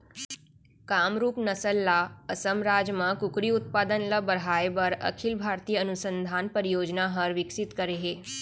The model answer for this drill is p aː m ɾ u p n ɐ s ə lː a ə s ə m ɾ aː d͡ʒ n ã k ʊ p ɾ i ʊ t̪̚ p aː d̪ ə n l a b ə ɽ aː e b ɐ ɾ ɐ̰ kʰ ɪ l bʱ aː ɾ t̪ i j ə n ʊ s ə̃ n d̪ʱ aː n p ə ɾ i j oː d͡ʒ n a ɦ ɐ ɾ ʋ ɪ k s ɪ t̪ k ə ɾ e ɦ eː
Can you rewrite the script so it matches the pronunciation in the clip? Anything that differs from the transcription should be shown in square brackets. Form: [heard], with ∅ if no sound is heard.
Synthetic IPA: [k] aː m ɾ [uː] p n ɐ s ə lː a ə s ə m ɾ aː d͡ʒ [m] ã k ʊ [k] ɾ i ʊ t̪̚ p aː d̪ ə n l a b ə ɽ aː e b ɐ ɾ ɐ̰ kʰ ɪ l bʱ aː ɾ t̪ i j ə n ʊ s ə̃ n d̪ʱ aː n p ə ɾ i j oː d͡ʒ n a ɦ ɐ ɾ ʋ ɪ k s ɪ t̪ k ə ɾ e ɦ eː

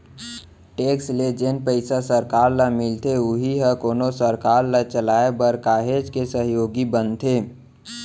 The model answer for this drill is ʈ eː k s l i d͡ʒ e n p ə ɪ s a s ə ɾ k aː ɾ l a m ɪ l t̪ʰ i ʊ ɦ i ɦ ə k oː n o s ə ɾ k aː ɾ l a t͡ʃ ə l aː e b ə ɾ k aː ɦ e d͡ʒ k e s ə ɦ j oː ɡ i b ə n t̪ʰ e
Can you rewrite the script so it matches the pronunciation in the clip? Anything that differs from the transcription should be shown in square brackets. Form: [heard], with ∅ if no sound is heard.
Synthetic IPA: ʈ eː k s l [e] d͡ʒ e n p ə ɪ s a s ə ɾ k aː ɾ l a m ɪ l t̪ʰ [e] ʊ ɦ i ɦ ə k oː n o s ə ɾ k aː ɾ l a t͡ʃ ə l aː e b ə ɾ k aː ɦ e d͡ʒ k e s ə ɦ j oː ɡ i b ə n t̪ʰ e

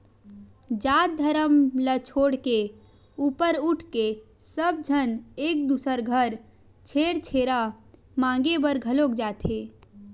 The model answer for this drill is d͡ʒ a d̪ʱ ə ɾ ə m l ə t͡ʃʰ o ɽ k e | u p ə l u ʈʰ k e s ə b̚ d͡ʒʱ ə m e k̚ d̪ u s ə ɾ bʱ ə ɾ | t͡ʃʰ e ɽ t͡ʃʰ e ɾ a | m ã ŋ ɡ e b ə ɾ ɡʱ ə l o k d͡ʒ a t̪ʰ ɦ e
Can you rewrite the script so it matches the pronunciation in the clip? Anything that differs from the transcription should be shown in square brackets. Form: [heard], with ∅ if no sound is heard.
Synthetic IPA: d͡ʒ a d̪ʱ ə ɾ ə m l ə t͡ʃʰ o ɽ k e | u p ə [ɾ] u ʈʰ k e s ə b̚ d͡ʒʱ ə [n] e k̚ d̪ u s ə ɾ [ɡʱ] ə ɾ | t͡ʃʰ e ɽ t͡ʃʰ e ɾ a | m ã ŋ ɡ e b ə ɾ ɡʱ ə l o k d͡ʒ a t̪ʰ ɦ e

